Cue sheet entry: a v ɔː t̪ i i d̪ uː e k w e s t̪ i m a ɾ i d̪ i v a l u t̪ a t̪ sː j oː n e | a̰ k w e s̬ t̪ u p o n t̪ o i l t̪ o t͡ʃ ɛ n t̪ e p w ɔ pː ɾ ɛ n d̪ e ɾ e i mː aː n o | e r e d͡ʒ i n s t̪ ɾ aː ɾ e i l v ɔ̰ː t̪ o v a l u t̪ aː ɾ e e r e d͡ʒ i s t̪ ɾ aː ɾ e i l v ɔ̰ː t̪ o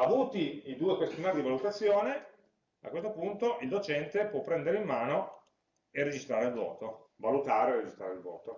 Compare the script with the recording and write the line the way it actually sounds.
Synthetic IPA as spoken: a v uː t̪ i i d̪ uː e k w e s t̪ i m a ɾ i d̪ i v a l u t̪ a t̪ sː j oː n e | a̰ k w e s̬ t̪ o p u n t̪ o i l d̪ o t͡ʃ ɛ n t̪ e p w ɔ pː ɾ ɛ n d̪ e ɾ e i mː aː n o | e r e d͡ʒ i s t̪ ɾ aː ɾ e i l v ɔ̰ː t̪ o v a l u t̪ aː ɾ e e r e d͡ʒ i s t̪ ɾ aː ɾ e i l v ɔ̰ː t̪ o